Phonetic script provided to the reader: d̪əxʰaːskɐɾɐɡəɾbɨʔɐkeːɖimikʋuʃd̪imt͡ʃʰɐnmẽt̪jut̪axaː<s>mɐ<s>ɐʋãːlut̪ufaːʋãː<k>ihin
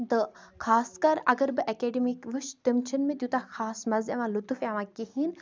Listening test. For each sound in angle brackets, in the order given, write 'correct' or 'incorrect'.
correct, incorrect, correct

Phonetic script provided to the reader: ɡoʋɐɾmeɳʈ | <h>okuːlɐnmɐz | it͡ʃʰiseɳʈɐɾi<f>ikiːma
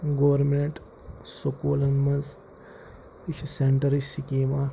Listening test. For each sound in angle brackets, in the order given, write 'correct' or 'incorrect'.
incorrect, incorrect

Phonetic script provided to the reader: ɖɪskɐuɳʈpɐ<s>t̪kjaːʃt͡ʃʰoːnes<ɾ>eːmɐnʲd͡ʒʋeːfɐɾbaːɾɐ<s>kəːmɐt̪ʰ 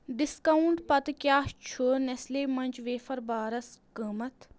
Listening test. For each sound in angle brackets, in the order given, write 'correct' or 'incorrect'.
incorrect, incorrect, correct

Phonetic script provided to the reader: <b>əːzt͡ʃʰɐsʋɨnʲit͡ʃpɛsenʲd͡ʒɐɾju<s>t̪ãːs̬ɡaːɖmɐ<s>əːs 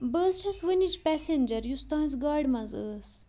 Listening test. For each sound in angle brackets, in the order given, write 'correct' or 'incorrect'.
correct, correct, incorrect

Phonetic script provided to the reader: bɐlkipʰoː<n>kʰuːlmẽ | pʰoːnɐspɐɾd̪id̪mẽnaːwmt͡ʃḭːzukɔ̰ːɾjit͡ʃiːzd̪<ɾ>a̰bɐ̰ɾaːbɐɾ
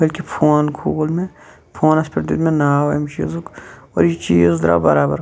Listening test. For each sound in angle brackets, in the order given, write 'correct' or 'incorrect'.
correct, correct

